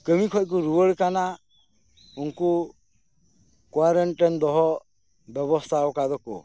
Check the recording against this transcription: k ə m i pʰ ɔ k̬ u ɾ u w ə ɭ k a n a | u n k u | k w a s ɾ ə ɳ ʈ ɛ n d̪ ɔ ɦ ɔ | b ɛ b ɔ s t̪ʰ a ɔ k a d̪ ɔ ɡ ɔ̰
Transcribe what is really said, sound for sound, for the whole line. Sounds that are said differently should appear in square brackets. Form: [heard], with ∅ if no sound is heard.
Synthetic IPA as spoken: k ə m i [kʰ] ɔ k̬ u ɾ u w ə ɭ k a n a | u n k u | k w a [∅] ɾ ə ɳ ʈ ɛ n d̪ ɔ ɦ ɔ | b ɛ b ɔ s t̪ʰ a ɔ k a d̪ ɔ [k] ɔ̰

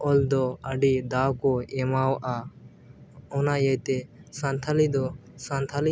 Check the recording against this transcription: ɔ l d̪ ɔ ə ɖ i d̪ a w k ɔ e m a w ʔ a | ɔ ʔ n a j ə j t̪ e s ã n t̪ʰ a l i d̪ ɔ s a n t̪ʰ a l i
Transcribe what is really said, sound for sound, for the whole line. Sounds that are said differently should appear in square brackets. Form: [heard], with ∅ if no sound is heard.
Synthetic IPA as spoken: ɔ l d̪ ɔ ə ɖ i d̪ a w k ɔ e m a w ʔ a | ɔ [∅] n a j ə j t̪ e s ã n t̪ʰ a l i d̪ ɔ s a n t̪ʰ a l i

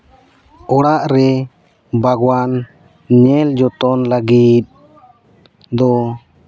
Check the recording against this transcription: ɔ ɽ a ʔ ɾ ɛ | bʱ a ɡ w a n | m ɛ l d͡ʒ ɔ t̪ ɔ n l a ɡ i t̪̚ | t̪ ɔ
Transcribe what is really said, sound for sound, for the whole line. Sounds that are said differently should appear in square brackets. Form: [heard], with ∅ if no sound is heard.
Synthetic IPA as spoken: ɔ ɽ a ʔ ɾ ɛ | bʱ a ɡ w a n | [ɲ] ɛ l d͡ʒ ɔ t̪ ɔ n l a ɡ i t̪̚ | [d̪] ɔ

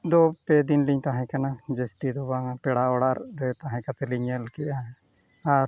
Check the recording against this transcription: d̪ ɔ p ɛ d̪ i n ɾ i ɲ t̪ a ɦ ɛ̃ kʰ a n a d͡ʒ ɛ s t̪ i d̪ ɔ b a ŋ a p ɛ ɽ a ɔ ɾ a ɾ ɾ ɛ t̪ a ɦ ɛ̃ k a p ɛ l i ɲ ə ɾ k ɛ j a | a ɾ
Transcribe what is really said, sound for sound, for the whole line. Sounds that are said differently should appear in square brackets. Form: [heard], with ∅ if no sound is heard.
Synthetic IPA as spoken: d̪ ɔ p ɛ d̪ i n [l] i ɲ t̪ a ɦ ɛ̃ [k] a n a d͡ʒ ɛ s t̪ i d̪ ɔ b a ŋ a p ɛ ɽ a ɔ [ɽ] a ɾ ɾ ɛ t̪ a ɦ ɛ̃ k a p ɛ l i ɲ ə [l] k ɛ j a | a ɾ

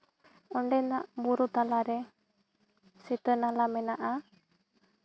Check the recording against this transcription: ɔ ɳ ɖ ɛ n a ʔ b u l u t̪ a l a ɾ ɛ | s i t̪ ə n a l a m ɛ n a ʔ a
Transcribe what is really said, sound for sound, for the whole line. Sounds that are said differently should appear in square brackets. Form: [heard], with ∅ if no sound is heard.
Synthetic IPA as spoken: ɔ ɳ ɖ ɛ n a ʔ b u [ɾ] u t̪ a l a ɾ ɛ | s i t̪ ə n a l a m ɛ n a ʔ a

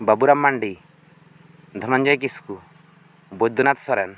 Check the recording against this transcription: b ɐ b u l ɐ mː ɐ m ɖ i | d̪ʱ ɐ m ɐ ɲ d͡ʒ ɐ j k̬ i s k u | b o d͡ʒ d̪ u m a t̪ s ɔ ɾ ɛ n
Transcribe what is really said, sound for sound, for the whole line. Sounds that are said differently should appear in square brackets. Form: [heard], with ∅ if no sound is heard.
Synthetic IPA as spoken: b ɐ b u [ɾ] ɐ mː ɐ [ɳ] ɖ i | d̪ʱ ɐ m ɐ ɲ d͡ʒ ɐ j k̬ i s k u | b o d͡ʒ d̪ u [n] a t̪ s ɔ ɾ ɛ n

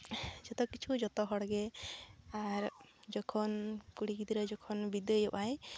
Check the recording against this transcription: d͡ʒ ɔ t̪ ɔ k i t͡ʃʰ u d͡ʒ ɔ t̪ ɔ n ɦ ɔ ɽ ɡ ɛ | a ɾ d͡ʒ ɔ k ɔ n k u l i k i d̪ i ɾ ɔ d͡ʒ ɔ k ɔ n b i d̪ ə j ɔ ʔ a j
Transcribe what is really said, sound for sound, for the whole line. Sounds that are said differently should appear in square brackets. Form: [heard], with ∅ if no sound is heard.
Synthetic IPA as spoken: d͡ʒ ɔ t̪ ɔ k i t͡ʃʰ u d͡ʒ ɔ t̪ ɔ [∅] ɦ ɔ ɽ ɡ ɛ | a ɾ d͡ʒ ɔ [kʰ] ɔ n k u [ɽ] i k i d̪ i ɾ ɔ d͡ʒ ɔ [kʰ] ɔ n b i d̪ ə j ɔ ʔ a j

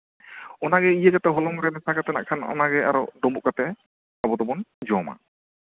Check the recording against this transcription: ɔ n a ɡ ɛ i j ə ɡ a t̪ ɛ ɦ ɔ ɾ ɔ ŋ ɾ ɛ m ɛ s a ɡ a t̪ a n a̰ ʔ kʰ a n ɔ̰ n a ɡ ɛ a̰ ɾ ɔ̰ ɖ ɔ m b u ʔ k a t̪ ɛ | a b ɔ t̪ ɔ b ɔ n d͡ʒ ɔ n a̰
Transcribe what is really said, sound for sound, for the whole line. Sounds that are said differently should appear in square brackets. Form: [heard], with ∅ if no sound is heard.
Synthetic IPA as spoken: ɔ n a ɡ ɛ i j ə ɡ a t̪ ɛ ɦ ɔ [l] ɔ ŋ ɾ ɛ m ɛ s a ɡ a t̪ [ɛ] n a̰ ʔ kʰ a n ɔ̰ n a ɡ ɛ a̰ ɾ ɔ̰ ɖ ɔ m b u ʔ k a t̪ ɛ | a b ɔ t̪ ɔ b ɔ n d͡ʒ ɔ [m] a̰

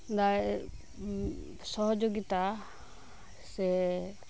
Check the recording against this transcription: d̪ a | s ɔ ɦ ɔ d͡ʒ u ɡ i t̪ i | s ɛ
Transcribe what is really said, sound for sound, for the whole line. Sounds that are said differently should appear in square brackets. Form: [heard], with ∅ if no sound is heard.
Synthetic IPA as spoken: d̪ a | s ɔ ɦ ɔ d͡ʒ [o] ɡ i t̪ [a] | s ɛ

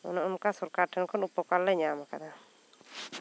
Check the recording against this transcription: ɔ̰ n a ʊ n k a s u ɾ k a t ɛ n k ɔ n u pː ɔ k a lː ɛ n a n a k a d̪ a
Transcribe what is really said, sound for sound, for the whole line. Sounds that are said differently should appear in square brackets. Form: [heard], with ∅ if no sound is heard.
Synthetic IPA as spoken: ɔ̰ n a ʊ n k a s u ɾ k a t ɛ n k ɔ n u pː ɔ k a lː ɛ [ɲ] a [m] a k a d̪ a

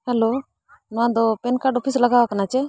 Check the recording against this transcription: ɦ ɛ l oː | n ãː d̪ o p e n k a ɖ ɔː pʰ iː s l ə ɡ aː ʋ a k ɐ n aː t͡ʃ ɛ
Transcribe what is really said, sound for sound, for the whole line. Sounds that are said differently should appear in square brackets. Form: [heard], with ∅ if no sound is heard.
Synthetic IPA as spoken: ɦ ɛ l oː | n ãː d̪ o p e n k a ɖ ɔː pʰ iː s l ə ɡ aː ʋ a k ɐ n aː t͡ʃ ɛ

